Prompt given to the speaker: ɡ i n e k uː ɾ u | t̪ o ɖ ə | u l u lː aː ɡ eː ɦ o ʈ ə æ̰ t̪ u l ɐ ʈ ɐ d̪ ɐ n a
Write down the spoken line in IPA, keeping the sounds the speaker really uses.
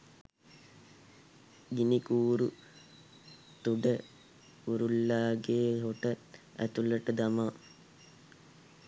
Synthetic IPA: ɡ i n i k uː ɾ u | t̪ u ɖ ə | u ɾ u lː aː ɡ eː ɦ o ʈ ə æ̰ t̪ u l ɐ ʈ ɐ d̪ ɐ m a